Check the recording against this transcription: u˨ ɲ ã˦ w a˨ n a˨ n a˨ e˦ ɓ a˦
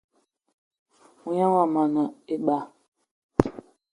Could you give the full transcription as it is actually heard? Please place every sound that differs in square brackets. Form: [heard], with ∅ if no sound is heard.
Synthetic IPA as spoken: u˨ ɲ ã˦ w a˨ [m] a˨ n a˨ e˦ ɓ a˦